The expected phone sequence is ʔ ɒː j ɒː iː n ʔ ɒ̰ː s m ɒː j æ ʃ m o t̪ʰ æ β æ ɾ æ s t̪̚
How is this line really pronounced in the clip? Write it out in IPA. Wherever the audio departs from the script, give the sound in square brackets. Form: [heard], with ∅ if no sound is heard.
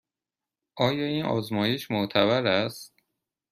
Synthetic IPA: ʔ ɒː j ɒː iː n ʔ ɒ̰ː [z] m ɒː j [e] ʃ m o t̪ʰ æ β æ ɾ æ s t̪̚